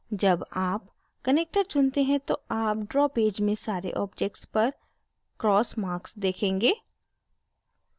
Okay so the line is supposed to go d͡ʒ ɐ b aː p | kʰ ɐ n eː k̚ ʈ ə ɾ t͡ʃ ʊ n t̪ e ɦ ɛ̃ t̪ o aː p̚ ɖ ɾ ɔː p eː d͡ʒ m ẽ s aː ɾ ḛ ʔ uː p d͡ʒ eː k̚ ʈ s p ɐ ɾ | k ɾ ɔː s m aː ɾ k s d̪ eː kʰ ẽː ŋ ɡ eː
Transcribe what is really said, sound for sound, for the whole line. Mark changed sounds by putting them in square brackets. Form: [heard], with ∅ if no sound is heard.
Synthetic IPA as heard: d͡ʒ ɐ b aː p | [k] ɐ n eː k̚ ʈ ə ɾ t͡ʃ ʊ n t̪ e ɦ ɛ̃ t̪ o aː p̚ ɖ ɾ ɔː p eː d͡ʒ m ẽ s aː ɾ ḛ ʔ [ɔː] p d͡ʒ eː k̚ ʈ s p ɐ ɾ | k ɾ ɔː s m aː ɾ k s d̪ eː kʰ ẽː ŋ ɡ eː